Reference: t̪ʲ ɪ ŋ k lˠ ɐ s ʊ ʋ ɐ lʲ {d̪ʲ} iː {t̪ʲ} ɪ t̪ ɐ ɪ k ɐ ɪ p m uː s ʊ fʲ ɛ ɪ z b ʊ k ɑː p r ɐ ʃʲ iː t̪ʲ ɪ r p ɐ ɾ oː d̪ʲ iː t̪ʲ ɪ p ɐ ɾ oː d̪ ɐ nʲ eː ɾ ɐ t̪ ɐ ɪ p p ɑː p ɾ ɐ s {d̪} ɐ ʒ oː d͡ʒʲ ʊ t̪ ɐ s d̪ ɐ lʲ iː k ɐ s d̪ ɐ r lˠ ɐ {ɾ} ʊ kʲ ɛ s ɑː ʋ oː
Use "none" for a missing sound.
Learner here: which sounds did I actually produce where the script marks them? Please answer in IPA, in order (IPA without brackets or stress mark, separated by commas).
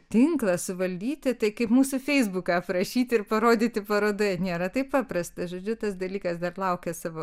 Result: d̪ʲ, t̪ʲ, t̪, none